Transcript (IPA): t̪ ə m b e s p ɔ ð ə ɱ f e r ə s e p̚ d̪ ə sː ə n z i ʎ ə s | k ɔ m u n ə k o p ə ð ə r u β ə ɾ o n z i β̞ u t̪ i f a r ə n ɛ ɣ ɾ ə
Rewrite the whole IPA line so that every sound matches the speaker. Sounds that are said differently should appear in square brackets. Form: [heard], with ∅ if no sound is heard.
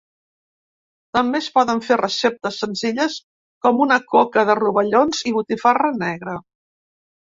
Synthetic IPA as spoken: t̪ ə m b e s p ɔ ð ə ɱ f e r ə s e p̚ [t̪] ə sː ə n z i ʎ ə s | k ɔ m u n ə k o [k] ə ð ə r u β ə [ʎ] o n z i β̞ u t̪ i f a r ə n ɛ ɣ ɾ ə